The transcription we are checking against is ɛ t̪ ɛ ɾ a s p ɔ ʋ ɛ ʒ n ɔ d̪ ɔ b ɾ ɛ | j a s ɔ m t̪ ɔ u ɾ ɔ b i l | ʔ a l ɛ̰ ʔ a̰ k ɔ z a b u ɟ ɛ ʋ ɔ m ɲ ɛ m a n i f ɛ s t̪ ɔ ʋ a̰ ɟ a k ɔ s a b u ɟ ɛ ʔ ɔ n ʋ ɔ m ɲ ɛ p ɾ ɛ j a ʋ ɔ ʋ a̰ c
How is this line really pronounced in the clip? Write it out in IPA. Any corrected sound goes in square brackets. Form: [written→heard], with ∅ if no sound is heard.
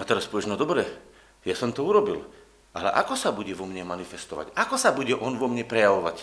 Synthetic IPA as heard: [ɛ→a] t̪ ɛ ɾ a s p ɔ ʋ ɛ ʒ n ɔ d̪ ɔ b ɾ ɛ | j a s ɔ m t̪ ɔ u ɾ ɔ b i l | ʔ a l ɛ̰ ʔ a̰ k ɔ [z→s] a b u ɟ ɛ ʋ ɔ m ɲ ɛ m a n i f ɛ s t̪ ɔ ʋ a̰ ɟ a k ɔ s a b u ɟ ɛ ʔ ɔ n ʋ ɔ m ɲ ɛ p ɾ ɛ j a ʋ ɔ ʋ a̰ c